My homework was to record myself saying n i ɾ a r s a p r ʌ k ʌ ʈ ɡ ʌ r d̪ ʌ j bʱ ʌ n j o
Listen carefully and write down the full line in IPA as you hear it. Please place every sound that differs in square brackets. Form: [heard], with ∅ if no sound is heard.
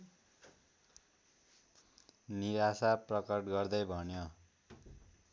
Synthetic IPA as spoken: n i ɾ a [∅] s a p r ʌ k ʌ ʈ ɡ ʌ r d̪ ʌ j bʱ ʌ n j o